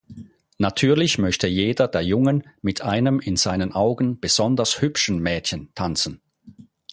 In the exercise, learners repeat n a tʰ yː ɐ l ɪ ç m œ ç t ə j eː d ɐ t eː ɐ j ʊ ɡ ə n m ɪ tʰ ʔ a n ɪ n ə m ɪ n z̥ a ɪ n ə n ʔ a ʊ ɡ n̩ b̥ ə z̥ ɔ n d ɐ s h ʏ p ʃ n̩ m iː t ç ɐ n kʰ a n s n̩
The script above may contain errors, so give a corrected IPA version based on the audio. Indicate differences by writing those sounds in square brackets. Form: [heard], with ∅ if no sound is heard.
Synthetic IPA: n a tʰ yː ɐ l ɪ ç m œ ç t ə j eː d ɐ [d] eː ɐ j ʊ [ŋ] ə n m ɪ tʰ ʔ a [∅] ɪ n ə m ɪ n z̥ a ɪ n ə n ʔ a ʊ ɡ n̩ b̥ ə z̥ ɔ n d ɐ s h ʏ p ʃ n̩ m [ɛː] t ç [ə] n [tʰ] a n [t͡s] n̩